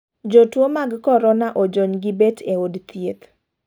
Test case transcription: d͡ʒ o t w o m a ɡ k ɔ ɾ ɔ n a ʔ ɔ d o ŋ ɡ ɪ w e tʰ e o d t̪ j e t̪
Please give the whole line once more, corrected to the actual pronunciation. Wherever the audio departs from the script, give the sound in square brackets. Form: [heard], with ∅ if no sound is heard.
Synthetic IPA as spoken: d͡ʒ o t w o m a ɡ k ɔ ɾ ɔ n a ʔ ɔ [d͡ʒ] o [ɲ] ɡ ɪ [b] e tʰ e o d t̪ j e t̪